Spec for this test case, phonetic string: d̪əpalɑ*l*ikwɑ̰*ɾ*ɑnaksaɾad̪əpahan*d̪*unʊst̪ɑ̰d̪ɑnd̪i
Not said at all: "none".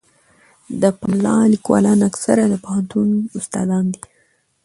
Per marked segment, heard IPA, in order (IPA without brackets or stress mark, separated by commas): l, l, t̪